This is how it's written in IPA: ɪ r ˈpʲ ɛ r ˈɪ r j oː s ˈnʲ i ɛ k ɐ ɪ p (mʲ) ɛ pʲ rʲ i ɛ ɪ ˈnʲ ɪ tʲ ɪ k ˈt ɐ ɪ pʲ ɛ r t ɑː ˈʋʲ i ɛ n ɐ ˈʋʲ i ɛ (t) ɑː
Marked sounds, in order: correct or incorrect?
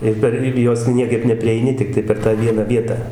incorrect: nʲ, correct

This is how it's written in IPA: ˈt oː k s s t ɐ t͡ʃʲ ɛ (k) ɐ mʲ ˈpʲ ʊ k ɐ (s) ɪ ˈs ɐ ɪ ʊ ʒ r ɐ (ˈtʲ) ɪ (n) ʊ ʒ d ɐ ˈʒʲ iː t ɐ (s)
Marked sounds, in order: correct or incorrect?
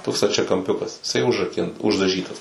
correct, correct, incorrect: kʲ, correct, correct

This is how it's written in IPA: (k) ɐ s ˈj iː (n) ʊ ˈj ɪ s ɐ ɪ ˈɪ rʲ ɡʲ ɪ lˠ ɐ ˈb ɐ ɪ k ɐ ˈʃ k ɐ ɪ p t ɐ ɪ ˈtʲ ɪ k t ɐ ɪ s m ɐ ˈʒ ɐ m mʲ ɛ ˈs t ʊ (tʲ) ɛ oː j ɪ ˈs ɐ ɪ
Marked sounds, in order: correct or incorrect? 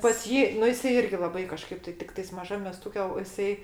incorrect: p, correct, incorrect: kʲ

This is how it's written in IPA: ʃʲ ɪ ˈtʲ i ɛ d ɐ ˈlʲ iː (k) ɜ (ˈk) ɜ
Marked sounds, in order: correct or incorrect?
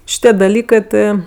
correct, incorrect: t

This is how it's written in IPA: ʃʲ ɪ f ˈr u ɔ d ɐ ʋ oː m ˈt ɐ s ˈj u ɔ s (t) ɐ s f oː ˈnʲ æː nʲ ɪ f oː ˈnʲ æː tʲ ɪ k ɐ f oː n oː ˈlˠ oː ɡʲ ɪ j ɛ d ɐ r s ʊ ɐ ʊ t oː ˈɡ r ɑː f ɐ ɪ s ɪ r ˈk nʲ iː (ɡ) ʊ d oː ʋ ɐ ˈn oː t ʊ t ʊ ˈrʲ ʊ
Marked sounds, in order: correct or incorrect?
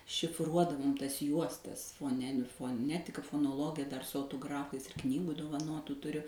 correct, correct

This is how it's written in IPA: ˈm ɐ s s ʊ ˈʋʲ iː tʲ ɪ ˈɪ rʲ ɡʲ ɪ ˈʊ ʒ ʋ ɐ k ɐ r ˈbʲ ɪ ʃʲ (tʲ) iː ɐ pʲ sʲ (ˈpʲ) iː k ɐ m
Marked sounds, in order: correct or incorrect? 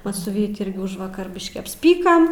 incorrect: kʲ, correct

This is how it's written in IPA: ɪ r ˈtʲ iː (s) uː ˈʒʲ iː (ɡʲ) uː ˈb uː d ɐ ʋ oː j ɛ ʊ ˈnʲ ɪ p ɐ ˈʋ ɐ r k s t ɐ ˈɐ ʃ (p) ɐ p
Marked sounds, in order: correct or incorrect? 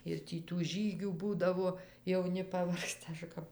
incorrect: t, correct, incorrect: k

